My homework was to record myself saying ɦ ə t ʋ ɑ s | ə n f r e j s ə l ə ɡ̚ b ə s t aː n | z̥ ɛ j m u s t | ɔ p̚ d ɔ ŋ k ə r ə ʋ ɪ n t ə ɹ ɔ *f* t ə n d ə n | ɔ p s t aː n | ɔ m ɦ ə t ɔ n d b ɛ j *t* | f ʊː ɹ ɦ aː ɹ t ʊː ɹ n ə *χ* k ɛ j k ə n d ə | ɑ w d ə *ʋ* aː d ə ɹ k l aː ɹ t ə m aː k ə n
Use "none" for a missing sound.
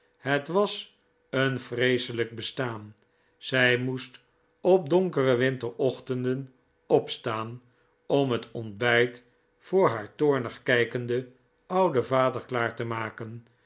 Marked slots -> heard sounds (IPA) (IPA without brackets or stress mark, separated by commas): χ, t, χ, v